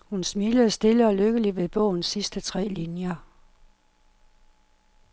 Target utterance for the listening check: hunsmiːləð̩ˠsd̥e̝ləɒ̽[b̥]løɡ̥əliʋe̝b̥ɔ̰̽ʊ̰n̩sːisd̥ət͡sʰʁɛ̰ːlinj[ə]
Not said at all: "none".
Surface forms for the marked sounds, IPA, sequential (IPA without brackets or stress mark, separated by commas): none, ɐ